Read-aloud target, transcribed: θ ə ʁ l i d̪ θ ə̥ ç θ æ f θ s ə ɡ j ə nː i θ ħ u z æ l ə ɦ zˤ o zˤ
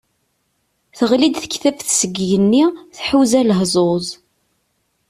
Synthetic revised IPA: θ ə ʁ l i d̪ θ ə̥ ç θ æ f θ s ə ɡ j ə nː i θ ħ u z æ l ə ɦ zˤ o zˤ